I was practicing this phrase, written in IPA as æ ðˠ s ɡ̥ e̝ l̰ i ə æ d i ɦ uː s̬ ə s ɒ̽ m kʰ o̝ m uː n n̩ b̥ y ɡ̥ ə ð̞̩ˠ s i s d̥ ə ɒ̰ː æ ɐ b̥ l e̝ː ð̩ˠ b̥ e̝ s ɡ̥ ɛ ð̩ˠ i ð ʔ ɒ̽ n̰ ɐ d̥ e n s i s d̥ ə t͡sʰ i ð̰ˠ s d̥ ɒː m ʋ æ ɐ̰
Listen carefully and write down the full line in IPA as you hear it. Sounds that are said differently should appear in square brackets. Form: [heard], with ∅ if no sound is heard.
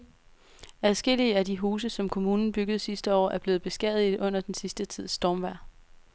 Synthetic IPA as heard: æ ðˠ s ɡ̥ e̝ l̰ i ə æ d i ɦ uː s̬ ə s ɒ̽ m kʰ o̝ m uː n n̩ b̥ y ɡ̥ ə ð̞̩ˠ s i s d̥ ə ɒ̰ː æ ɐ b̥ l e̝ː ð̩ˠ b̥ e̝ s ɡ̥ ɛ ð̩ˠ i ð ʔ [ɔ̽] n̰ ɐ d̥ e n s i s d̥ ə t͡sʰ i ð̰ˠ s d̥ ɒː m ʋ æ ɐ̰